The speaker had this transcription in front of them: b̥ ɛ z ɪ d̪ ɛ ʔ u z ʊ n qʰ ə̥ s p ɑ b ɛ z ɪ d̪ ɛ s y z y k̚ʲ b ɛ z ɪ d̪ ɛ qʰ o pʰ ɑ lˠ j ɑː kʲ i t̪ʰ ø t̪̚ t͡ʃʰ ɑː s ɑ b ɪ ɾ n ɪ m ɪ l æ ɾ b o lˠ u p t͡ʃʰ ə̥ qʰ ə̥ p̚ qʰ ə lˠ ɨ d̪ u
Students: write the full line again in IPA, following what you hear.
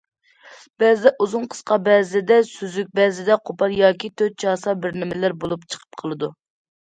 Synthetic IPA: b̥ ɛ z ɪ d̪ ɛ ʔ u z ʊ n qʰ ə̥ s q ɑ b ɛ z ɪ d̪ ɛ s y z y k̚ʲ b ɛ z ɪ d̪ ɛ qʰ o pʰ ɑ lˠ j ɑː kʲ i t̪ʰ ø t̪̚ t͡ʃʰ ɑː s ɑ b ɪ ɾ n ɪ m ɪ l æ ɾ b o lˠ u p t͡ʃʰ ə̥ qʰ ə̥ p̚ qʰ ə lˠ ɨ d̪ u